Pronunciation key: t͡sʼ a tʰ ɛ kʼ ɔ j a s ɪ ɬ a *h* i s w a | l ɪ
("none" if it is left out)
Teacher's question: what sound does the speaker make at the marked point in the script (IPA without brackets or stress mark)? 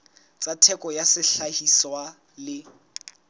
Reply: h